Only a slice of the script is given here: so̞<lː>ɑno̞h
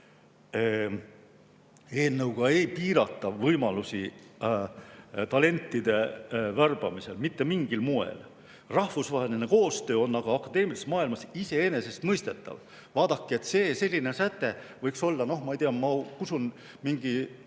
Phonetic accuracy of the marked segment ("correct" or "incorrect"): correct